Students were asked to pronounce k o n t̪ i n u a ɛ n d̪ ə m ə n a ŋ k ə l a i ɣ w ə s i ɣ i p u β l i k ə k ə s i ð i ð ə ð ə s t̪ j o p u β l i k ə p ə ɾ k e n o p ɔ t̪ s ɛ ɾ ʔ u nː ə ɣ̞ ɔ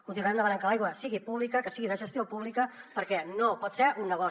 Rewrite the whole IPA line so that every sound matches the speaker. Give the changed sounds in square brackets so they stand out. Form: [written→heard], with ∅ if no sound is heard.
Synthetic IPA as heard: k [o→u] n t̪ i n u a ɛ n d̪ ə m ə n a ŋ k ə l a [i→j] ɣ w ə s i ɣ i p u β l i k ə k ə s i [ð→ɣ] i ð ə [ð→ʒ] ə s t̪ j o p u β l i k ə p ə ɾ k [e→ɛ] n o p ɔ t̪ s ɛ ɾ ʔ u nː ə ɣ̞ ɔ